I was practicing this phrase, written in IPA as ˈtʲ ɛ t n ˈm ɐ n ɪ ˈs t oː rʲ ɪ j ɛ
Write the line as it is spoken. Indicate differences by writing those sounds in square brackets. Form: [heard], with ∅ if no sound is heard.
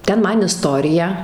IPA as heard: ˈtʲ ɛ [∅] n ˈm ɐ n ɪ ˈs t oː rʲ ɪ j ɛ

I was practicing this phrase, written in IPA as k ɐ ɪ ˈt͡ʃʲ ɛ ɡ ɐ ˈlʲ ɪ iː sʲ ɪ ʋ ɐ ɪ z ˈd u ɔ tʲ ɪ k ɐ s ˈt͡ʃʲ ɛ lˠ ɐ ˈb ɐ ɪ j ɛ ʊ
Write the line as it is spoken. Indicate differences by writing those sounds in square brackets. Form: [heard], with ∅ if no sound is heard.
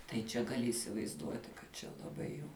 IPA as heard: [t] ɐ ɪ ˈt͡ʃʲ ɛ ɡ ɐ ˈlʲ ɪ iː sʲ ɪ ʋ ɐ ɪ z ˈd u ɔ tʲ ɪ k ɐ [t] ˈt͡ʃʲ ɛ lˠ ɐ ˈb ɐ ɪ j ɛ ʊ

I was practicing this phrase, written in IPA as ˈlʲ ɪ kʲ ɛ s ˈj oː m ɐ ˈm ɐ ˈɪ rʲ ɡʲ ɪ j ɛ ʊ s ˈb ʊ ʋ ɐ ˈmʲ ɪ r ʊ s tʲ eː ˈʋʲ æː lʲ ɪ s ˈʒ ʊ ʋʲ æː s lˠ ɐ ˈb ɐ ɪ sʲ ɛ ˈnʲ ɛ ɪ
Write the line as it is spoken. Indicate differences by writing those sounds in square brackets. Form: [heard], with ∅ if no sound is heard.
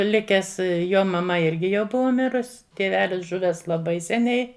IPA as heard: ˈlʲ ɪ kʲ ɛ s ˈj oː m ɐ ˈm ɐ ˈɪ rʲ ɡʲ ɪ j ɛ ʊ [∅] ˈb ʊ ʋ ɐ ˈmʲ ɪ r ʊ s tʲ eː ˈʋʲ æː lʲ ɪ s ˈʒ ʊ ʋʲ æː s lˠ ɐ ˈb ɐ ɪ sʲ ɛ ˈnʲ ɛ ɪ

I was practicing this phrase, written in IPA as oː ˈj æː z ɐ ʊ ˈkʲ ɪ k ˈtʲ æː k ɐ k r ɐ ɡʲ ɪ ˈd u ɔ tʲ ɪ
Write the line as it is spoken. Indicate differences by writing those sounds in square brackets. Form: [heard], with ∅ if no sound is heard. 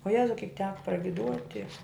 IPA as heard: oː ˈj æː z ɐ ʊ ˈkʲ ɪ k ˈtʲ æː k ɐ [p] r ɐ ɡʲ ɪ ˈd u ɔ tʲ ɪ

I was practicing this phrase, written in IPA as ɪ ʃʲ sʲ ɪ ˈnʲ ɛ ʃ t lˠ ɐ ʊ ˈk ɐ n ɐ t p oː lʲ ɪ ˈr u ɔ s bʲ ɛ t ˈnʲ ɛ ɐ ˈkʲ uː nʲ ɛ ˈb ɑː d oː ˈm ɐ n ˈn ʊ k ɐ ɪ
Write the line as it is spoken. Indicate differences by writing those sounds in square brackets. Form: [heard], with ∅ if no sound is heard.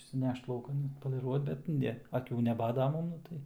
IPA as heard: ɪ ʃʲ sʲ ɪ ˈnʲ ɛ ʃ t lˠ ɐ ʊ ˈk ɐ n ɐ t p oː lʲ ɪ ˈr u ɔ [t] bʲ ɛ t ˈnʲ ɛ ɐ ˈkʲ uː nʲ ɛ ˈb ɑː d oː ˈm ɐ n ˈn ʊ [t] ɐ ɪ

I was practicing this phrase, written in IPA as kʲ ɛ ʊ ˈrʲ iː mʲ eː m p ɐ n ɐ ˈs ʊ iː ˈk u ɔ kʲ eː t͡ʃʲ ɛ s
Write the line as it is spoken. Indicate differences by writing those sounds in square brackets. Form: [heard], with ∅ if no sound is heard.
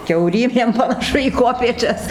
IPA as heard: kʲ ɛ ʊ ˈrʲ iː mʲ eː m p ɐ n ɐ [ˈʃ] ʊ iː ˈk u ɔ [pʲ] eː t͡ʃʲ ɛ s

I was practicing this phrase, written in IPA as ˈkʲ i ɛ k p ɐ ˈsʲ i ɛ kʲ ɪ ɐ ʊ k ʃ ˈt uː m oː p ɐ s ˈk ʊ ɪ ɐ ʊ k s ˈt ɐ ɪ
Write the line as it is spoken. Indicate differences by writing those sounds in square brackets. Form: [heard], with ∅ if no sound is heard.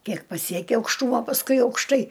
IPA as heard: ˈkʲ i ɛ k p ɐ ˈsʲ i ɛ kʲ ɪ ɐ ʊ k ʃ ˈt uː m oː p ɐ s ˈk ʊ ɪ ɐ ʊ k [ʃ] ˈt ɐ ɪ

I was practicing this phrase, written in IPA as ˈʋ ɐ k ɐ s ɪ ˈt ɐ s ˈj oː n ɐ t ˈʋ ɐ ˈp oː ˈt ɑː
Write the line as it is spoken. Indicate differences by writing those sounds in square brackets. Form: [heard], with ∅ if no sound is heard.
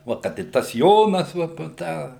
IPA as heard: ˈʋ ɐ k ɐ [t] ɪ ˈt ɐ s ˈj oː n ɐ [s] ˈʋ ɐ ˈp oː ˈt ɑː

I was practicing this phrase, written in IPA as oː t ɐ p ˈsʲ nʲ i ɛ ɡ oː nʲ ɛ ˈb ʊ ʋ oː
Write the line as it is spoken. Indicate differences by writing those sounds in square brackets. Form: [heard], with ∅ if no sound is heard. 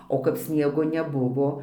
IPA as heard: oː [k] ɐ p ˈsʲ nʲ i ɛ ɡ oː nʲ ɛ ˈb ʊ ʋ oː

